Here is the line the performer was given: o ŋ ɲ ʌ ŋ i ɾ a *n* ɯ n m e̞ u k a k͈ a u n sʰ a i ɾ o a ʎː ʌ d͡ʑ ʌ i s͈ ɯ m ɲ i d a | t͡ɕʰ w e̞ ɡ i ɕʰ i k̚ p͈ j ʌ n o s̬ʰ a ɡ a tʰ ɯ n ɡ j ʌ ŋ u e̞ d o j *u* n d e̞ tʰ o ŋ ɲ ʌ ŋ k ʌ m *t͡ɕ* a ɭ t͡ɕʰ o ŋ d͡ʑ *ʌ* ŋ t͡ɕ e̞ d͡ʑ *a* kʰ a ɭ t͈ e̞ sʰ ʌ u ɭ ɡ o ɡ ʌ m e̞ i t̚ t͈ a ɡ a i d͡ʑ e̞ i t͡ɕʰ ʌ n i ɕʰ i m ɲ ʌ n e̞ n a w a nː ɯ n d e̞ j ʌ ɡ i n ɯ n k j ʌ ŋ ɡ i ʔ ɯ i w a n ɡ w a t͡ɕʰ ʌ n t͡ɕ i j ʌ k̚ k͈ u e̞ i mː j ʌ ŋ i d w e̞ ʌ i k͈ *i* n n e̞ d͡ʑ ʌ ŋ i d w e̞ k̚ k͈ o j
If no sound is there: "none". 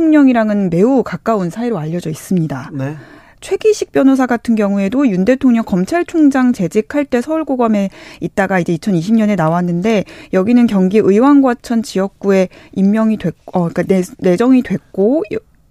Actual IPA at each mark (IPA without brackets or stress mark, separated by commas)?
ŋ, u, t͡ɕʰ, a, i, a